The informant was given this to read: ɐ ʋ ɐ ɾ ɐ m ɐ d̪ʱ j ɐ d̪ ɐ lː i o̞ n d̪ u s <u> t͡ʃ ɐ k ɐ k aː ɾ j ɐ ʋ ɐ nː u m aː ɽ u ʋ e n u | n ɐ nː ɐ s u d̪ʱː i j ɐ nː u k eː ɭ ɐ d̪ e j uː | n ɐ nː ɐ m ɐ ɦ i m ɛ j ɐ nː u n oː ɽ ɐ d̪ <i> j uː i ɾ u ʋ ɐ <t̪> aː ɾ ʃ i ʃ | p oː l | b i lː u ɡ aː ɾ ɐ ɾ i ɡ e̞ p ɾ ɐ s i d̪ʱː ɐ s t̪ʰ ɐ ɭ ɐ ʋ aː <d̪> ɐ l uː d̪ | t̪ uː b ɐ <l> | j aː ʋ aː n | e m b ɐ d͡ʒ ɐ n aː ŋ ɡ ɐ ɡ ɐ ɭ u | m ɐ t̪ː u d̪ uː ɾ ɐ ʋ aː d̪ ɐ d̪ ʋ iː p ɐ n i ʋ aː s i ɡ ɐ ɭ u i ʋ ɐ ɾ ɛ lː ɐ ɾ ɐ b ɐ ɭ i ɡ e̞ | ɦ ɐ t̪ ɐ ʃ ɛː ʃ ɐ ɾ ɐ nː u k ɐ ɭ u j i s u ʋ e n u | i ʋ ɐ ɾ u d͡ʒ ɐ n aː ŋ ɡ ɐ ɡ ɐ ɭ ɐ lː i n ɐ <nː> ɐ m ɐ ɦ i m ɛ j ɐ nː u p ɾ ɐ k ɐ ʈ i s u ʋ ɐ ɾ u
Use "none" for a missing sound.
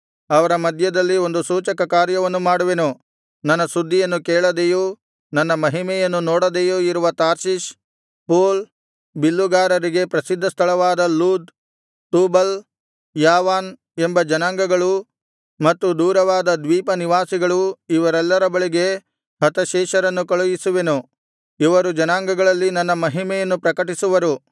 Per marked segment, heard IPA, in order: uː, e, t̪, d̪, l, nː

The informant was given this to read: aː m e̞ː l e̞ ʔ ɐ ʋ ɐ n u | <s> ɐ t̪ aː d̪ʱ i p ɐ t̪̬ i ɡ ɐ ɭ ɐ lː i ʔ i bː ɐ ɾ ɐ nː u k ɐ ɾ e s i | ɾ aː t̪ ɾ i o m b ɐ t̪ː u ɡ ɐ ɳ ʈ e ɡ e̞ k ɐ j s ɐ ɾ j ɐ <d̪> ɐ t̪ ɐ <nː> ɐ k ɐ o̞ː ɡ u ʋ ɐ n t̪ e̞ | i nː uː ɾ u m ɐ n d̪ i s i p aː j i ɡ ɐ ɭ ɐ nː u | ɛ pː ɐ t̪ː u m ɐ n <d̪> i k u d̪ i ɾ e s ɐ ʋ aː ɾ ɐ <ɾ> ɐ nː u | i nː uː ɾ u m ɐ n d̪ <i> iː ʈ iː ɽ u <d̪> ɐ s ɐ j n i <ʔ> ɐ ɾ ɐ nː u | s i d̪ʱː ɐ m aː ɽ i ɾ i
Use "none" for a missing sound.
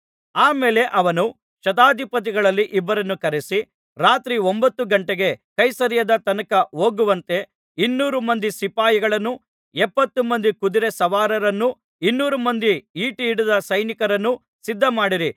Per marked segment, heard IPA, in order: ʃ, d̪, n, d̪, ɾ, i, d̪, k

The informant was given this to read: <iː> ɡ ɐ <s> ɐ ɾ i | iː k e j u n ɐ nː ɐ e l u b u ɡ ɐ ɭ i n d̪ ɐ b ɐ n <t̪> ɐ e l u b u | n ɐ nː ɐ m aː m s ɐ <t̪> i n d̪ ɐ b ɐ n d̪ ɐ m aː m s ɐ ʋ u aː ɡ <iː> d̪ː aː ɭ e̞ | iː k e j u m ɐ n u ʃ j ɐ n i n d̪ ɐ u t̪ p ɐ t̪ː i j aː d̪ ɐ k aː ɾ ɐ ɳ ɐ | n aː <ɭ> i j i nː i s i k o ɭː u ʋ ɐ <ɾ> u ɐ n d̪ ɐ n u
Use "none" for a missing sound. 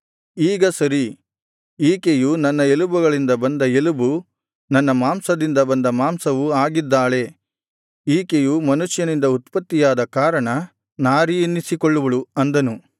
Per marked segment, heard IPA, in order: iː, s, d̪, d̪, i, ɾ, ɭ

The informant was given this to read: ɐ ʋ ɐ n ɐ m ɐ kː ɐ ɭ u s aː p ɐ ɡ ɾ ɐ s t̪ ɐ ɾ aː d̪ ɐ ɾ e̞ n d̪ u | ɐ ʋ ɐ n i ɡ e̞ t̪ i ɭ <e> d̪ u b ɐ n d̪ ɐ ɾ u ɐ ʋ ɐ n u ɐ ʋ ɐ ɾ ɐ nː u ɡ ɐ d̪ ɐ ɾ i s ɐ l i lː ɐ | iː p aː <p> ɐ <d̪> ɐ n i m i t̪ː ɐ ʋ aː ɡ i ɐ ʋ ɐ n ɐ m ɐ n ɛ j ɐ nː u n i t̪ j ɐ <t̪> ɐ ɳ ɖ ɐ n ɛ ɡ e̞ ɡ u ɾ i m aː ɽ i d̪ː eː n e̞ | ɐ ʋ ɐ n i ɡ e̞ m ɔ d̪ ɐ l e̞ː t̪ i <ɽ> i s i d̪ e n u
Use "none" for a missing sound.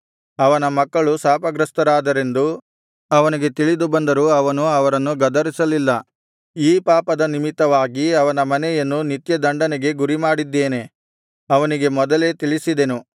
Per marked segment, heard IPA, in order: i, p, d̪, d̪, ɭ

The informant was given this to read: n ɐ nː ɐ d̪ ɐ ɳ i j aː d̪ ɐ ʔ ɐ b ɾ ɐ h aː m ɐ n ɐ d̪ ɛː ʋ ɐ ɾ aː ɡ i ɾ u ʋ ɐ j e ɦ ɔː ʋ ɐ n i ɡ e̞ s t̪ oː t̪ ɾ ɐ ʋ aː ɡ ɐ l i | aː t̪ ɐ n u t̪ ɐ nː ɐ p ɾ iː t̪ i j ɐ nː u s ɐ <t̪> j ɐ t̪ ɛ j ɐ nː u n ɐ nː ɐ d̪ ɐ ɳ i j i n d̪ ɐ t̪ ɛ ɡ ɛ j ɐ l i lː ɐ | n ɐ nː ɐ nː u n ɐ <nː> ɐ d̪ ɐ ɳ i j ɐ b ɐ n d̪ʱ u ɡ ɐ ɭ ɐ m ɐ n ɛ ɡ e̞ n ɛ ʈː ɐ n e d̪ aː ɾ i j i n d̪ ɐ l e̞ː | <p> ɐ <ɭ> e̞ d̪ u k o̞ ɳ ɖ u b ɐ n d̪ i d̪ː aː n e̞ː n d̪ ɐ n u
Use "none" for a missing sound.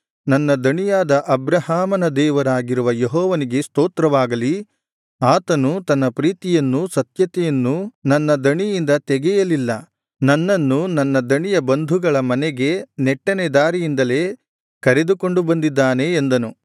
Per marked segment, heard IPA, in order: t̪, nː, k, ɾ

